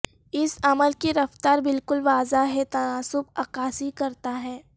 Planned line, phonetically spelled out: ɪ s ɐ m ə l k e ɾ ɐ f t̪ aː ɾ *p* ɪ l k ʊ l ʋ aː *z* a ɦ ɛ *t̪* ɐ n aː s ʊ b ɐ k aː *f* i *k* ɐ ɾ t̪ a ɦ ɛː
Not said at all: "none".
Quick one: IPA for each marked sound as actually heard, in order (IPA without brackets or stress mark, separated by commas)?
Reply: b, z, t̪, s, k